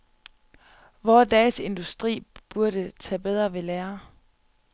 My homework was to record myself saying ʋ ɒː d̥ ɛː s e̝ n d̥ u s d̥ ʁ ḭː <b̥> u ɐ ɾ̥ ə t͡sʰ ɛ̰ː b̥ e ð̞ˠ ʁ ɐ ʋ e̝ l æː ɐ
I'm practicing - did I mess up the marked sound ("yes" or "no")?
no